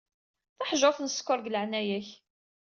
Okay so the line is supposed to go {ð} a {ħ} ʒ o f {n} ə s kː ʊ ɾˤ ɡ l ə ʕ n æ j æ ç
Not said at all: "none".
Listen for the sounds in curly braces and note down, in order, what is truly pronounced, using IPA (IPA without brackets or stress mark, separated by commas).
θ, ħ, n